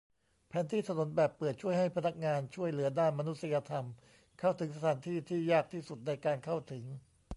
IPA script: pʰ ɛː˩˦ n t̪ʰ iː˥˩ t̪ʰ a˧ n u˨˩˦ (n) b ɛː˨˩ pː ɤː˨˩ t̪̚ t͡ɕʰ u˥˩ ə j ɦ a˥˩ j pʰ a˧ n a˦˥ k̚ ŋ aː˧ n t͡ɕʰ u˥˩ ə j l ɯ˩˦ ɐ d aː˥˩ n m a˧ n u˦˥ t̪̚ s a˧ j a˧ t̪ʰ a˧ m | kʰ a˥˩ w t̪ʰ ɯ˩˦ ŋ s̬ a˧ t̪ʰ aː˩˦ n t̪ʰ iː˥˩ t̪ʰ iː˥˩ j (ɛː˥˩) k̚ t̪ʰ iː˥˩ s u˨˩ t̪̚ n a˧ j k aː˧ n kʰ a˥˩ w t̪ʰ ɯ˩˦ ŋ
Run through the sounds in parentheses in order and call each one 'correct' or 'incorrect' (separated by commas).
correct, incorrect